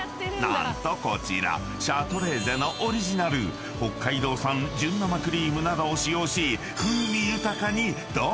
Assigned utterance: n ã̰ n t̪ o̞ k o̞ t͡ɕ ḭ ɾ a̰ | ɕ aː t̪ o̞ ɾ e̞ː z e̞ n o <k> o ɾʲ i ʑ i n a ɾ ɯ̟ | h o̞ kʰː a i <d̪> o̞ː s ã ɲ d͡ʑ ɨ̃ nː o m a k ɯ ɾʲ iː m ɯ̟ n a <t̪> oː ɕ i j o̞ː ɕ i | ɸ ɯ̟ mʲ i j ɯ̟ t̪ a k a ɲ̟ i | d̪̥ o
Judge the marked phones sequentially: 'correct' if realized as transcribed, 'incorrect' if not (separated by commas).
incorrect, correct, incorrect